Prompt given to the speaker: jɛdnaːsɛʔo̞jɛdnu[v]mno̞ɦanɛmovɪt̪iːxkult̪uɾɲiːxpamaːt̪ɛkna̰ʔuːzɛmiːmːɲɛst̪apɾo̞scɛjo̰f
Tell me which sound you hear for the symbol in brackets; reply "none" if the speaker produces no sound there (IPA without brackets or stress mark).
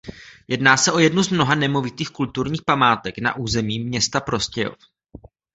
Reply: z